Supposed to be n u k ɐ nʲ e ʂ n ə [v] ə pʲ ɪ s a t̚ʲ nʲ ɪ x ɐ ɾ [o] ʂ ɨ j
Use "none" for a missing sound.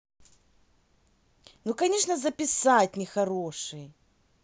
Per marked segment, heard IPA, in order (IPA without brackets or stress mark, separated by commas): z, o